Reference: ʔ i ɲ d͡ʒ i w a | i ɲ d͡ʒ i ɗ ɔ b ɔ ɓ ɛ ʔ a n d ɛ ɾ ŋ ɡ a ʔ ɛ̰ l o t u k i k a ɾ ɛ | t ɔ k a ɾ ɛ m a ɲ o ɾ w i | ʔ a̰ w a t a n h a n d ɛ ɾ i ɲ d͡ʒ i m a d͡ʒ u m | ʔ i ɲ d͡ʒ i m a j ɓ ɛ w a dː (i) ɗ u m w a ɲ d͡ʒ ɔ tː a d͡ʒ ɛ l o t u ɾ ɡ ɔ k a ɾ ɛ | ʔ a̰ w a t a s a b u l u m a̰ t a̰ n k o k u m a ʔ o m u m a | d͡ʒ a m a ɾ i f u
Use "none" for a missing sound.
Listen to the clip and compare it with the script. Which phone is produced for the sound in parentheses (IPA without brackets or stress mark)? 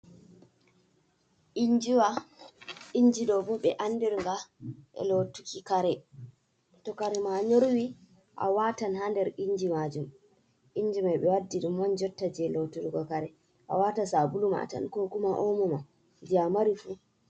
i